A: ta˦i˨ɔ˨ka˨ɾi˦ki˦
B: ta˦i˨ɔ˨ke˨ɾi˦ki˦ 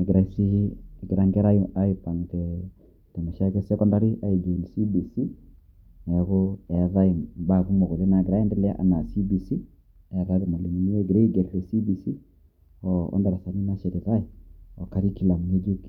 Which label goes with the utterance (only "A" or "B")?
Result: A